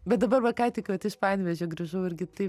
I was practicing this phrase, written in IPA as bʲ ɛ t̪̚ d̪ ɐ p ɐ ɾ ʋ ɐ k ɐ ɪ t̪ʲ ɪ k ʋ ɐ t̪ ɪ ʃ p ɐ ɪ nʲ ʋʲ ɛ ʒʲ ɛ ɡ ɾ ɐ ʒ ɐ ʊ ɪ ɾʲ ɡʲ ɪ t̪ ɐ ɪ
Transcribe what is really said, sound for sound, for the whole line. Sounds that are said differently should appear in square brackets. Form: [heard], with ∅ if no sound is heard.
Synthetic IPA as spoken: bʲ ɛ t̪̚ d̪ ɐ [b] ɐ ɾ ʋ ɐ k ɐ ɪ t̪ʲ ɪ k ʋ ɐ t̪ ɪ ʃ p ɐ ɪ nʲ ʋʲ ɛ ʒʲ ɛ ɡ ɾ ɐ ʒ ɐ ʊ ɪ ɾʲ ɡʲ ɪ t̪ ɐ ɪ

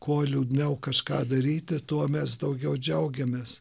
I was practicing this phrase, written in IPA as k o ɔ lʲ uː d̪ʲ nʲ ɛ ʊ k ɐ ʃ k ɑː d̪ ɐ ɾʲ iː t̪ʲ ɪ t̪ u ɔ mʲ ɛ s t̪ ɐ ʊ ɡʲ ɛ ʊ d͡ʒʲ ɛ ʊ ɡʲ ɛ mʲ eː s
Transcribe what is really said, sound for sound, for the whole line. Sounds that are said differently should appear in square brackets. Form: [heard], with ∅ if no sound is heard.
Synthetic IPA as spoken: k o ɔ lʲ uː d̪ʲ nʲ ɛ ʊ k ɐ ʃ k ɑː d̪ ɐ ɾʲ iː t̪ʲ ɪ t̪ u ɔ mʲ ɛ s [d̪] ɐ ʊ ɡʲ ɛ ʊ d͡ʒʲ ɛ ʊ ɡʲ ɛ mʲ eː s

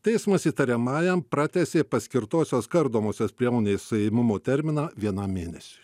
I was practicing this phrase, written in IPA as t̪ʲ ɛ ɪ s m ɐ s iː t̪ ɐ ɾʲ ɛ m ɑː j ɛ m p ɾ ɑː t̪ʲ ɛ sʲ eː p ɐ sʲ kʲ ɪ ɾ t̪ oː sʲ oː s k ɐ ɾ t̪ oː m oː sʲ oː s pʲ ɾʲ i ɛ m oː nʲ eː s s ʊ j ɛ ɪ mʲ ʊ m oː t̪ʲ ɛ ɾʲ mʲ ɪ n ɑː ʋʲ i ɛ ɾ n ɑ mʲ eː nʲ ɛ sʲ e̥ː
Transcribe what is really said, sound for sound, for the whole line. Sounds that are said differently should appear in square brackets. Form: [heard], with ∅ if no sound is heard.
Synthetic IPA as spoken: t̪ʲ ɛ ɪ s m ɐ s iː t̪ ɐ ɾʲ ɛ m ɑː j ɛ m p ɾ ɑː t̪ʲ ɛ sʲ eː p ɐ sʲ kʲ ɪ ɾ t̪ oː sʲ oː s k ɐ ɾ [d̪] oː m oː sʲ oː s pʲ ɾʲ i ɛ m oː nʲ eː s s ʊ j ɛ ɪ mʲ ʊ m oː t̪ʲ ɛ ɾʲ mʲ ɪ n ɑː ʋʲ i ɛ [∅] n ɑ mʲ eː nʲ ɛ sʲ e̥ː

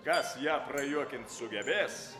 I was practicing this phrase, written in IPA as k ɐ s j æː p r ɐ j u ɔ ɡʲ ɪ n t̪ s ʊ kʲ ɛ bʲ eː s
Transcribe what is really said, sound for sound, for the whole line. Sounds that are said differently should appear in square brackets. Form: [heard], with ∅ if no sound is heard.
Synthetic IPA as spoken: k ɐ s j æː p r ɐ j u ɔ [kʲ] ɪ n t̪ s ʊ [ɡʲ] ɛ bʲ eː s

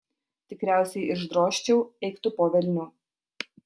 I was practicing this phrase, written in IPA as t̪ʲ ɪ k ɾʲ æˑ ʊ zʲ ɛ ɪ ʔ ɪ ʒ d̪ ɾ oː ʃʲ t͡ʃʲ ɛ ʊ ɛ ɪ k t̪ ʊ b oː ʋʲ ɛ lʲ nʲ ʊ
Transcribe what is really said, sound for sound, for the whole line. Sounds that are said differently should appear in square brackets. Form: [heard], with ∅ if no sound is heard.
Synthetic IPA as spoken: t̪ʲ ɪ k ɾʲ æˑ ʊ [sʲ] ɛ ɪ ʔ ɪ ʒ d̪ ɾ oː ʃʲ t͡ʃʲ ɛ ʊ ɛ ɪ k t̪ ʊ [p] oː ʋʲ ɛ lʲ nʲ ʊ

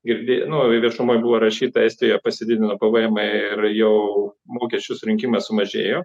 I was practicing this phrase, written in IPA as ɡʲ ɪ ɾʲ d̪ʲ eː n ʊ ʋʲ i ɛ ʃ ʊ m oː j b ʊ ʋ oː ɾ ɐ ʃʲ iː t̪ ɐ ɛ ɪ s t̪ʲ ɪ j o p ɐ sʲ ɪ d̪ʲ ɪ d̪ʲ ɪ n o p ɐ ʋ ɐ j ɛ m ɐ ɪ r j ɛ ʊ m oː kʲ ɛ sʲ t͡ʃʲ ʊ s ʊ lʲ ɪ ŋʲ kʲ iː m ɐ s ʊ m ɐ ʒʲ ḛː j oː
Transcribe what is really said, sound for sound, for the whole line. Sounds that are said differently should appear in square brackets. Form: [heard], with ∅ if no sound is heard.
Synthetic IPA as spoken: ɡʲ ɪ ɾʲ d̪ʲ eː n ʊ ʋʲ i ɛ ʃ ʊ m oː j b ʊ ʋ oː ɾ ɐ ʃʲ iː t̪ ɐ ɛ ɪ s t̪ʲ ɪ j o p ɐ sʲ ɪ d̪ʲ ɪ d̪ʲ ɪ n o p ɐ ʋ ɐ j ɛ m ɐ ɪ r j ɛ ʊ m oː kʲ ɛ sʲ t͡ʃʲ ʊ s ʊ [ɾʲ] ɪ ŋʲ kʲ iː m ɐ s ʊ m ɐ ʒʲ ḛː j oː

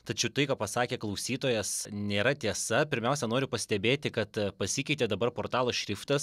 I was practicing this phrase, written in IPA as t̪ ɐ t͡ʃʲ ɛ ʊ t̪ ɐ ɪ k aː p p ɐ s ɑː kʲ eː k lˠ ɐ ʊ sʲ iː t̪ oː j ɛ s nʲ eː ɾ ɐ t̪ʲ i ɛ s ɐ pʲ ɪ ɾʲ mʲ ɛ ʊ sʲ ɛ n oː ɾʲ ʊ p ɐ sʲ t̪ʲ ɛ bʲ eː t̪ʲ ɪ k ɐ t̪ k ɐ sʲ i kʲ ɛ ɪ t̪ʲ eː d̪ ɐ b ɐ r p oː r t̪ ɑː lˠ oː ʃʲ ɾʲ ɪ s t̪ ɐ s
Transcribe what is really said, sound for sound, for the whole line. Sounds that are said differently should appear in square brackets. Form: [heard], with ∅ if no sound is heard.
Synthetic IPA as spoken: t̪ ɐ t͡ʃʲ ɛ ʊ t̪ ɐ ɪ k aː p p ɐ s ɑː kʲ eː k lˠ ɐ ʊ sʲ iː t̪ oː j ɛ s nʲ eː ɾ ɐ t̪ʲ i ɛ s ɐ pʲ ɪ ɾʲ mʲ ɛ ʊ sʲ ɛ n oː ɾʲ ʊ p ɐ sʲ t̪ʲ ɛ bʲ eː t̪ʲ ɪ k ɐ t̪ [p] ɐ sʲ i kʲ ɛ ɪ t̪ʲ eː d̪ ɐ b ɐ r p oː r t̪ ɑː lˠ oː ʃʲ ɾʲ ɪ [f] t̪ ɐ s

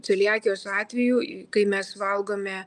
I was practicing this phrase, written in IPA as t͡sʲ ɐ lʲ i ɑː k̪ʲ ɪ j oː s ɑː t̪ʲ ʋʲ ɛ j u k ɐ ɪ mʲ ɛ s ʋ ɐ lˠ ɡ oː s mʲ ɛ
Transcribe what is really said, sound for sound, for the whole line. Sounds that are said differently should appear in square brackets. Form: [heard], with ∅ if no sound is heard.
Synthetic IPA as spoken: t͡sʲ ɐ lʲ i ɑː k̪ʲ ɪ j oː s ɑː t̪ʲ ʋʲ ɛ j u k ɐ ɪ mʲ ɛ s ʋ ɐ lˠ ɡ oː [∅] mʲ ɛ

